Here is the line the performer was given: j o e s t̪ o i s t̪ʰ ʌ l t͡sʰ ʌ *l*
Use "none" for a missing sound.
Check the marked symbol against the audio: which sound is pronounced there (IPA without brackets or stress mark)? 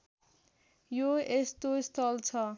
none